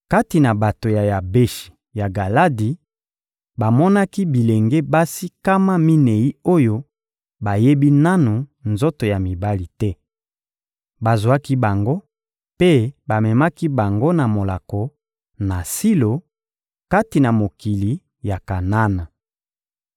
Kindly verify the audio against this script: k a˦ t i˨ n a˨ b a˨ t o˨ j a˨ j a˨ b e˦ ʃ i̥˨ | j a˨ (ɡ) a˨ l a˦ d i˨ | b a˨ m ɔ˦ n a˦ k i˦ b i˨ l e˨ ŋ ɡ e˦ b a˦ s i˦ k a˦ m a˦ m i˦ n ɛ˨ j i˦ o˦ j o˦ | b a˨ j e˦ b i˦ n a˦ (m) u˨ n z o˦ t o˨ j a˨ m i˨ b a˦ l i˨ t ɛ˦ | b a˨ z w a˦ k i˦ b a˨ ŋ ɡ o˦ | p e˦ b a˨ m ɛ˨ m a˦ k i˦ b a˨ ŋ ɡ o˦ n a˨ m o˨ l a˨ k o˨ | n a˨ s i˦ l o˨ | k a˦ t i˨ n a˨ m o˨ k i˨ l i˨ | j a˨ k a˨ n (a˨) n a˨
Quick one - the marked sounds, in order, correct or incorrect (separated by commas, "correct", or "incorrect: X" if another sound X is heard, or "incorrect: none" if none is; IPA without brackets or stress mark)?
correct, incorrect: n, incorrect: a˦